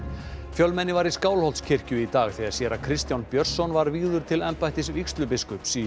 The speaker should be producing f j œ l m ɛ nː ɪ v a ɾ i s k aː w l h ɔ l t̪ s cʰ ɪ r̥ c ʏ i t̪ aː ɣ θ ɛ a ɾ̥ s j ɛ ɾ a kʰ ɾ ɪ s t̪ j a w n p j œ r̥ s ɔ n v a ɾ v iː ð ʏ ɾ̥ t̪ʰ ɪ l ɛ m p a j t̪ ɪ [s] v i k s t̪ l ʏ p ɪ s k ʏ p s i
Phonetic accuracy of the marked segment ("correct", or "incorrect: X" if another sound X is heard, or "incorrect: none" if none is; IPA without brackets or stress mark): correct